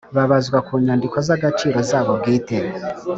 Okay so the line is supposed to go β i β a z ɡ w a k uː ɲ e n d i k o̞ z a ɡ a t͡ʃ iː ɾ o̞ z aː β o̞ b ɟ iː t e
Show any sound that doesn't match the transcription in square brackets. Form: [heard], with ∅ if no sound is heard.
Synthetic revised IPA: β [a] β a z ɡ w a k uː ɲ [a] n d i k o̞ z a ɡ a t͡ʃ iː ɾ o̞ z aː β o̞ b [ɡ] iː t e